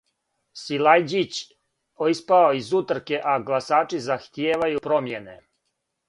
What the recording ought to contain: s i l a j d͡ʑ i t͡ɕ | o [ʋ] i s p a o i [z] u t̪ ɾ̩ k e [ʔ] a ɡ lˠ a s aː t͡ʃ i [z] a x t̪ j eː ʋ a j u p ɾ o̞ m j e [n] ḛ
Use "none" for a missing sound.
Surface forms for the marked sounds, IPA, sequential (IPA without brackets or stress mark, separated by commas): none, z, ʔ, z, n